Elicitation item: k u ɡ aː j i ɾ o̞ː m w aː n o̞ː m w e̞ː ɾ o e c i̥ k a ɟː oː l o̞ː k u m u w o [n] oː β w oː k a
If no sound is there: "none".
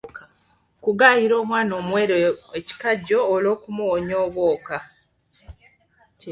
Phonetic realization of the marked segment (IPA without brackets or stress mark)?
ɲ